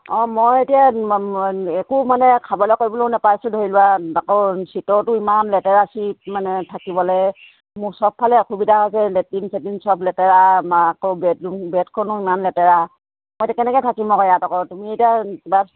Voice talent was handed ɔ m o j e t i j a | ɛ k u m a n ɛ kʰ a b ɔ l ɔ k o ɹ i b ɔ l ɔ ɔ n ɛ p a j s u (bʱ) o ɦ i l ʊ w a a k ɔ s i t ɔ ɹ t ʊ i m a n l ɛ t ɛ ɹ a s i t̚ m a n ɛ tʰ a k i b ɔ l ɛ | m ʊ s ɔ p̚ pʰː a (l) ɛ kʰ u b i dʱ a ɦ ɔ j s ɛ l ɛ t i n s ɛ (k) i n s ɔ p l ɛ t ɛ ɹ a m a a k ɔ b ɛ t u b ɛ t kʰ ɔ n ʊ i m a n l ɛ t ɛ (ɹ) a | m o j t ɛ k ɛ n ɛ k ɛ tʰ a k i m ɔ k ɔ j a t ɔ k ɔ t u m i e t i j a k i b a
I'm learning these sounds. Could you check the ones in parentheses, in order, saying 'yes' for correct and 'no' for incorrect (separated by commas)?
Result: no, yes, no, yes